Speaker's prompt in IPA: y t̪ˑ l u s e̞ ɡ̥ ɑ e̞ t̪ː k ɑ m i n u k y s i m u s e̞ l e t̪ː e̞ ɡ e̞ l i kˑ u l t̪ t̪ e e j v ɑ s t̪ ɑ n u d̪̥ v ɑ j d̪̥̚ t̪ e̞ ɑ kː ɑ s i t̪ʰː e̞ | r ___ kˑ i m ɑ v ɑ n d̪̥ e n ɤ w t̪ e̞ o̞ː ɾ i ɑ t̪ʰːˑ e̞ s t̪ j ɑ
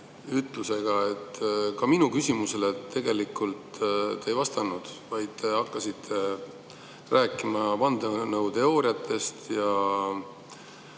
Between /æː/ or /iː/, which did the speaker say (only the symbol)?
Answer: æː